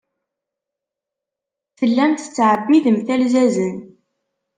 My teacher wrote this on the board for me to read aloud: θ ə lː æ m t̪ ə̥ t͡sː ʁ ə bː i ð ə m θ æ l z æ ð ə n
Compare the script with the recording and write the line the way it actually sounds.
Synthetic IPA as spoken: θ ə lː æ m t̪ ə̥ t͡sː ʕ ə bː i ð ə m θ æ l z æ z ə n